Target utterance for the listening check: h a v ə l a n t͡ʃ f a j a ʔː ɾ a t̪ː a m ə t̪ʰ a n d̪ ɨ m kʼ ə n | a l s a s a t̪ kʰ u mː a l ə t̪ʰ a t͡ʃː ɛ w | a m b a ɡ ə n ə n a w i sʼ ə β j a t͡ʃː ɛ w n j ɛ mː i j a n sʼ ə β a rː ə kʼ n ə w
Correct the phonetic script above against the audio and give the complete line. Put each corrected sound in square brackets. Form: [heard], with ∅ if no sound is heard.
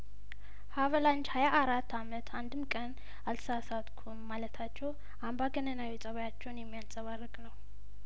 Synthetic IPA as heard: h a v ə l a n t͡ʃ [h] a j a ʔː ɾ a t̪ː a m ə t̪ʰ a n d̪ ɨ m kʼ ə n | a l s a s a t̪ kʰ u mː a l ə t̪ʰ a t͡ʃː ɛ w | a m b a ɡ ə n ə n a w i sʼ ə β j a t͡ʃː ɛ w n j ɛ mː i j a n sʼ ə β a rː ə kʼ n ə w

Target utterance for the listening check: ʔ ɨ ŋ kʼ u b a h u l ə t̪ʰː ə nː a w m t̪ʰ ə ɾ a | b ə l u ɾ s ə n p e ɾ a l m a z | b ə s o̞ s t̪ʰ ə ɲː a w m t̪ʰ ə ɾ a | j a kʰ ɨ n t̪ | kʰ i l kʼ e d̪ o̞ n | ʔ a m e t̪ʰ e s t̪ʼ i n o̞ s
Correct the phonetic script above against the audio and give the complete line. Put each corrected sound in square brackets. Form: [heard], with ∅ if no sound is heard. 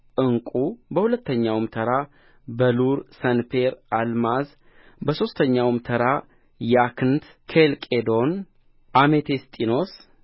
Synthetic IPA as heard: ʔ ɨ ŋ kʼ u b [ə] h u l ə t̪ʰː ə [ɲː] a w m t̪ʰ ə ɾ a | b ə l u ɾ s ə n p e ɾ a l m a z | b ə s o̞ s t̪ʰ ə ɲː a w m t̪ʰ ə ɾ a | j a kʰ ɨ n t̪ | kʰ [e] l kʼ e d̪ o̞ n | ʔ a m e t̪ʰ e s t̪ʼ i n o̞ s

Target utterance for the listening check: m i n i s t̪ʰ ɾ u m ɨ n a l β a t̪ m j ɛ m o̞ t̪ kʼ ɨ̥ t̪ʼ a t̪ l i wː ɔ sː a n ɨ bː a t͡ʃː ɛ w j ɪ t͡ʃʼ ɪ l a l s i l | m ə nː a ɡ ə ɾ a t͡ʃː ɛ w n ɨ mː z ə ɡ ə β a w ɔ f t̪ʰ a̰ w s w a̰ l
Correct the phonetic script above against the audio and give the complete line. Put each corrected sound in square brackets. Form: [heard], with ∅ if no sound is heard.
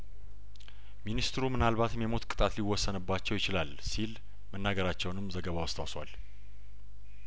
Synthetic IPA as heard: m i n i s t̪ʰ ɾ u m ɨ n a l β a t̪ m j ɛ m o̞ t̪ kʼ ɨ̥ t̪ʼ a t̪ l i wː ɔ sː [ə] n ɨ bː a t͡ʃː ɛ w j ɪ [t͡ʃ] ɪ l a l s i l | m ə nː a ɡ ə ɾ a t͡ʃː ɛ w n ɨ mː z ə ɡ ə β a w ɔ [s] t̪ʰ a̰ w s w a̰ l

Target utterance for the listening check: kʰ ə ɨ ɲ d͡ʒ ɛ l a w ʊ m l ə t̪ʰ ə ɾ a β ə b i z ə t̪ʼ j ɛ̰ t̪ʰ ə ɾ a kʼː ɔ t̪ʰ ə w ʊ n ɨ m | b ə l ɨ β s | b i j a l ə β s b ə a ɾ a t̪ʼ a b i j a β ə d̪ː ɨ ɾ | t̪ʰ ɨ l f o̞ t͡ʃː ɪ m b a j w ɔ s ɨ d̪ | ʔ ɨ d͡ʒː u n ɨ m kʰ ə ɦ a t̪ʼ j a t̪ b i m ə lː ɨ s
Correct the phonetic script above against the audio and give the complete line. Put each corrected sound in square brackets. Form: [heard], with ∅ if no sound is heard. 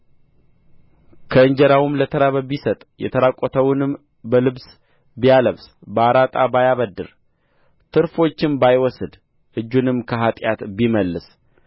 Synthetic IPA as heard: kʰ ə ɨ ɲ d͡ʒ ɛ [ɾ] a w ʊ m l ə t̪ʰ ə ɾ a β ə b i [s] ə t̪ʼ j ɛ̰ t̪ʰ ə ɾ a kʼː ɔ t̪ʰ ə w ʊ n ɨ m | b ə l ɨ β s | b i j a l ə β s b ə a ɾ a t̪ʼ a b [a] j a β ə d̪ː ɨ ɾ | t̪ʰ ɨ [ɾ] f o̞ t͡ʃː ɪ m b a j w ɔ s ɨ d̪ | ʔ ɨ d͡ʒː u n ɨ m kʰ ə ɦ a t̪ʼ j a t̪ b i m ə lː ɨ s

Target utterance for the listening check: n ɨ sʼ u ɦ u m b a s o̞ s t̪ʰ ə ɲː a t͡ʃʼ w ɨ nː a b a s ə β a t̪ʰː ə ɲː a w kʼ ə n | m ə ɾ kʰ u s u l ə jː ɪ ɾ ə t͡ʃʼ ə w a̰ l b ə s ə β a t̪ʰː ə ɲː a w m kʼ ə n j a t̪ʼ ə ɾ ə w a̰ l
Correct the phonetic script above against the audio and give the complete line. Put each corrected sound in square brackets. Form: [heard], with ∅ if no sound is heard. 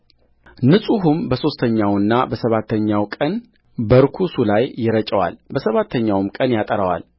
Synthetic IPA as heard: n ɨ sʼ u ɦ u m b [ə] s o̞ s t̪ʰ ə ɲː a [∅] w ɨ nː a b [ə] s ə β a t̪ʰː ə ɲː a w kʼ ə n | [b] ə ɾ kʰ u s u l [a] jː ɪ ɾ ə t͡ʃʼ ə w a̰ l b ə s ə β a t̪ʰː ə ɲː a w m kʼ ə n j a t̪ʼ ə ɾ ə w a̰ l

